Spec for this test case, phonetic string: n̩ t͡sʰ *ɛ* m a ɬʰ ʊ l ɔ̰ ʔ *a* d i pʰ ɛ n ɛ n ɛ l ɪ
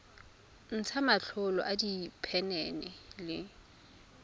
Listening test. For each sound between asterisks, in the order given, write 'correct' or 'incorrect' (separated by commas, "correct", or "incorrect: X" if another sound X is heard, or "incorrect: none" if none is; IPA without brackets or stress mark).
incorrect: a, correct